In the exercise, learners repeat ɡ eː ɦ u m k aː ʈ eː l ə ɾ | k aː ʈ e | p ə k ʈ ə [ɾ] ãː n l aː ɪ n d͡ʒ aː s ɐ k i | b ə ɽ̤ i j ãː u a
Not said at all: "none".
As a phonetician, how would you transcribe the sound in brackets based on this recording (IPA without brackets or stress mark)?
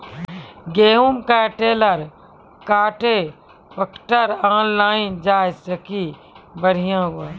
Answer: ɾ